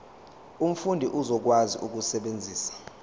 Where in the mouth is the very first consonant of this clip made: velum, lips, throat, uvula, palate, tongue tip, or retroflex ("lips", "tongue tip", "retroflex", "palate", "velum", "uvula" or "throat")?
lips